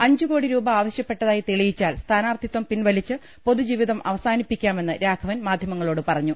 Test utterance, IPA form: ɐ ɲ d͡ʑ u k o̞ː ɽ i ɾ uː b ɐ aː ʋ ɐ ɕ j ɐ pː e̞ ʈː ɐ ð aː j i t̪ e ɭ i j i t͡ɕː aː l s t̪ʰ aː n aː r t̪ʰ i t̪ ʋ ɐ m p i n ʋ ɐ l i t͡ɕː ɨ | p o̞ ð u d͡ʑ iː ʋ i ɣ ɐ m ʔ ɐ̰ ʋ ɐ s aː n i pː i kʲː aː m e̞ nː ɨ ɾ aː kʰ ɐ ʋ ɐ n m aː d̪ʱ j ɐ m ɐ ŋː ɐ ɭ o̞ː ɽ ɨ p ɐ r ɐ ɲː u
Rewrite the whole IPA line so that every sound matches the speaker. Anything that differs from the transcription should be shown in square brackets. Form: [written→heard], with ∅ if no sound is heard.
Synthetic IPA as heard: ɐ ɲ d͡ʑ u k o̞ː ɽ i ɾ uː b ɐ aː ʋ ɐ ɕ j ɐ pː e̞ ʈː ɐ ð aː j i t̪ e ɭ i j i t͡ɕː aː l s t̪ʰ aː n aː r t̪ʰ i t̪ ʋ ɐ m p i n ʋ ɐ l i t͡ɕː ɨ | p o̞ ð u d͡ʑ iː ʋ i [ɣ→ð] ɐ m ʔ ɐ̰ ʋ ɐ s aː n i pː i kʲː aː m e̞ nː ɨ ɾ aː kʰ ɐ ʋ ɐ n m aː d̪ʱ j ɐ m ɐ ŋː ɐ ɭ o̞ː ɽ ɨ p ɐ r ɐ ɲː u